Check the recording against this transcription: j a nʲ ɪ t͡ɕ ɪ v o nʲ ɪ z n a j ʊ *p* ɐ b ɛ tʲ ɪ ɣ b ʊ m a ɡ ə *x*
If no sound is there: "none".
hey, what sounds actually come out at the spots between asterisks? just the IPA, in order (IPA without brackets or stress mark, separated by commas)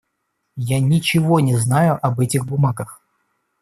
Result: ʔ, x